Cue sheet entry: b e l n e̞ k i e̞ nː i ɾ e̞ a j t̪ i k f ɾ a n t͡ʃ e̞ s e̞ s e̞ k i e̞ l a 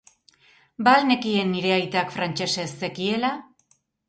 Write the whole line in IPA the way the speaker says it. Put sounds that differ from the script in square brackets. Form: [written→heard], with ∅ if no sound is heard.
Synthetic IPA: b [e→a] l n e̞ k i e̞ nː i ɾ e̞ a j t̪ [i→a] k f ɾ a n t͡ʃ e̞ s e̞ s e̞ k i e̞ l a